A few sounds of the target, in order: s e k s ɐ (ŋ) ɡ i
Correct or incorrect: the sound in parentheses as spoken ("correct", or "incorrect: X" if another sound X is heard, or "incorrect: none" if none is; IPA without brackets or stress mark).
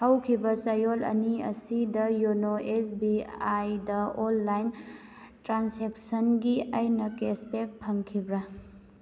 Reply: incorrect: n